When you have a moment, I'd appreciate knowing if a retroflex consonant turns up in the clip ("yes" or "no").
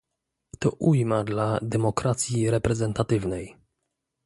no